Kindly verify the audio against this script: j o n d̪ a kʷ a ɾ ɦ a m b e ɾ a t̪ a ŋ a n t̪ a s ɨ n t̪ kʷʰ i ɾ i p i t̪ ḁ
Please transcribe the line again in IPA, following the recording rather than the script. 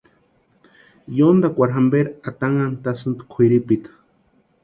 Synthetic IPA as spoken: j o n d̪ a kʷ a ɾ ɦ a m b e ɾ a t̪ a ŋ a n t̪ a s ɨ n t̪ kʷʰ i ɾ i p i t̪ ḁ